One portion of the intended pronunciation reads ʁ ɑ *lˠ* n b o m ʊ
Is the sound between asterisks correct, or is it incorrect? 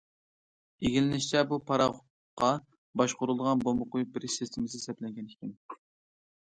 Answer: incorrect